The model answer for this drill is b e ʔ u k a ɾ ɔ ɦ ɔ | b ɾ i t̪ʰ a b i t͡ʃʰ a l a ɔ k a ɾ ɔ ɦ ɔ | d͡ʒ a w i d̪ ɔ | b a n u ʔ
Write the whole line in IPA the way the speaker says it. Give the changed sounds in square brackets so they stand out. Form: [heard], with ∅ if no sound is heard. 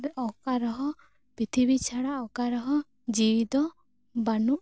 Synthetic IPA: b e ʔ [ɔ] k a ɾ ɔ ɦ ɔ | [p] ɾ i t̪ʰ [i] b i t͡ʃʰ a [ɽ] a ɔ k a ɾ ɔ ɦ ɔ | d͡ʒ [i] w i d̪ ɔ | b a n u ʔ